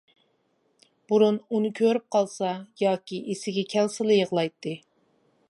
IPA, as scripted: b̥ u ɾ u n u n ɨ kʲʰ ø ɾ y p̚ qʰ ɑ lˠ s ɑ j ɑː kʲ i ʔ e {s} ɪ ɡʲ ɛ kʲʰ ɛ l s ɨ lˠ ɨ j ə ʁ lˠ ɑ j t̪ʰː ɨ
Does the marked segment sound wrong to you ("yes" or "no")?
no